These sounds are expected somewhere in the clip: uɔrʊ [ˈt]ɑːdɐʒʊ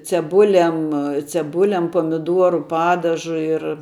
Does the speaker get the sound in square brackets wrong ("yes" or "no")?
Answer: yes